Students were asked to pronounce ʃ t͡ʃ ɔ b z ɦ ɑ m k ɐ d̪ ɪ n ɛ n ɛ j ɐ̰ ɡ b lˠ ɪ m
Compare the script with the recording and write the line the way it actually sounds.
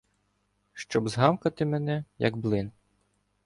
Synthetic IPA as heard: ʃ t͡ʃ ɔ b z ɦ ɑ m k ɐ t̪ ɪ m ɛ n ɛ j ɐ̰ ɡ b lˠ ɪ n